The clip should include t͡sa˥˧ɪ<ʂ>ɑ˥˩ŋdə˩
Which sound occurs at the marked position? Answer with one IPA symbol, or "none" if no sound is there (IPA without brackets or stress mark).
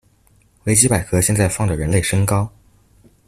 f